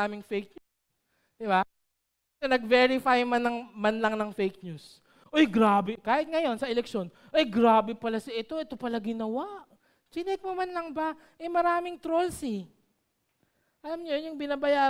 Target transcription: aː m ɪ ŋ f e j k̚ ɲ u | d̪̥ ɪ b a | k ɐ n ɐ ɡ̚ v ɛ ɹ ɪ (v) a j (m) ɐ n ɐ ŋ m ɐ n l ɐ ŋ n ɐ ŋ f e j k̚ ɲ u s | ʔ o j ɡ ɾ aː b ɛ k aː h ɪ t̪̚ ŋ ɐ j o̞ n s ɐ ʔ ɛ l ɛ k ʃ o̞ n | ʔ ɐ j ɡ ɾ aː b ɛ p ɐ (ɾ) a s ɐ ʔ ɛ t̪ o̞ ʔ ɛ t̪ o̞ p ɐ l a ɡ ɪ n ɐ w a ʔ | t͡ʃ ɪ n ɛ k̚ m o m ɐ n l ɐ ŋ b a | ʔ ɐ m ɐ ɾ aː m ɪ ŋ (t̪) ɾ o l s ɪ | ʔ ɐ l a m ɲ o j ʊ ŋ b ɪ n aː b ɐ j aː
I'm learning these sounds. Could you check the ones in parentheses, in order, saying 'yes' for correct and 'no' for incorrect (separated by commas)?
no, yes, no, yes